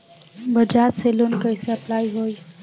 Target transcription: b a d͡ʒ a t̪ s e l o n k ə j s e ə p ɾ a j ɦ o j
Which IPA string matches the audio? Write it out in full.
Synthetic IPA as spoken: b ə d͡ʒ a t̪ s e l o n k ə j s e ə p l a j ɦ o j